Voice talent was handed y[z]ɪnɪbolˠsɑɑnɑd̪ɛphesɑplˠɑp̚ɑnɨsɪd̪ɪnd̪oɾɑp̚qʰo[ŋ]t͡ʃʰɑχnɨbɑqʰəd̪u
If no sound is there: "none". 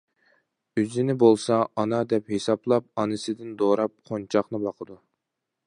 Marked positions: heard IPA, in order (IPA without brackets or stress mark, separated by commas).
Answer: z, n